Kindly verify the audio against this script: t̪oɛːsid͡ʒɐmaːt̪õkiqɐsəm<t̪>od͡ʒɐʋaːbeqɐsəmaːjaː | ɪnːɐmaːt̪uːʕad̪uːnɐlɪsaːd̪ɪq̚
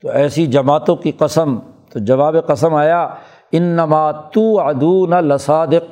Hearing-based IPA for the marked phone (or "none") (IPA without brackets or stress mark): t̪